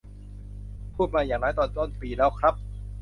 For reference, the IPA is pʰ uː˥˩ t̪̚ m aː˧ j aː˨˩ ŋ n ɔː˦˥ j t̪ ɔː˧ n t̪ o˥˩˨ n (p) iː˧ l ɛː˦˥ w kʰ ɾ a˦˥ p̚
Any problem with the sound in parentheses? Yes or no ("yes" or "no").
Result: no